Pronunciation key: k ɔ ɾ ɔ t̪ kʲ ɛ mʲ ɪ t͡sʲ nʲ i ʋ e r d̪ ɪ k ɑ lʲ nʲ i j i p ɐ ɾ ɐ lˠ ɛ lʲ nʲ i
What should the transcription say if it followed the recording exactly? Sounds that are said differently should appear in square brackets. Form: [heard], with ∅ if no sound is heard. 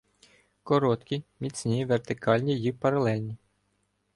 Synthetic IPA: k ɔ ɾ ɔ t̪ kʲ [i] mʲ [i] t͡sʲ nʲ i ʋ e r [t̪] ɪ k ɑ lʲ nʲ i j i p ɐ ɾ ɐ lˠ ɛ lʲ nʲ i